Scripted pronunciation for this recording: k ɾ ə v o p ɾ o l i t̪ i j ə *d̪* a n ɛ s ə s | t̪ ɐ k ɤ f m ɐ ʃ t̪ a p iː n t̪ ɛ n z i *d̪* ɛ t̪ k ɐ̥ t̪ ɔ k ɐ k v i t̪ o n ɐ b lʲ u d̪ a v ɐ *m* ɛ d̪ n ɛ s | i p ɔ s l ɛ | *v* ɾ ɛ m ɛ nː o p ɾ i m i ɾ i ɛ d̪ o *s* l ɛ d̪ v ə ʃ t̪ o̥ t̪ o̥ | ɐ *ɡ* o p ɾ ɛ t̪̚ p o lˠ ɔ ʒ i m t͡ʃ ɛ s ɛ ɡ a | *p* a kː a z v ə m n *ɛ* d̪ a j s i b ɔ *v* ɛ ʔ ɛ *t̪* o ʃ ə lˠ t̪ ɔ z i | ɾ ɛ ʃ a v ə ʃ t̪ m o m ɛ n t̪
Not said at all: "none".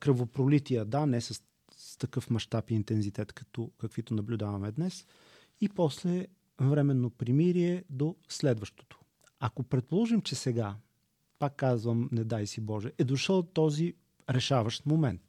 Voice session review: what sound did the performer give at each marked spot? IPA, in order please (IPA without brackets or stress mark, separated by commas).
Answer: d̪, t̪, m, v, s, k, p, ɛ, ʒ, d̪